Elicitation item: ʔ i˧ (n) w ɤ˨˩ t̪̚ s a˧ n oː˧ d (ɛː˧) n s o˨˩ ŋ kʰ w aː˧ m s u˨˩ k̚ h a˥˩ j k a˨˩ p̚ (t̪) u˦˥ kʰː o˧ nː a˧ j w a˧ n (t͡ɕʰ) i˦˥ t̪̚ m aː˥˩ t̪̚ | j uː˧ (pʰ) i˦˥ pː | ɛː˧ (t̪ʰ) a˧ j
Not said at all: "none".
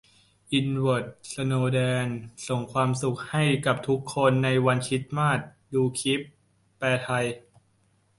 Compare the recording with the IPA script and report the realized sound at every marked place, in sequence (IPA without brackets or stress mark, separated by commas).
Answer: n, ɛː˧, t̪ʰ, t͡ɕʰ, kʰ, t̪ʰ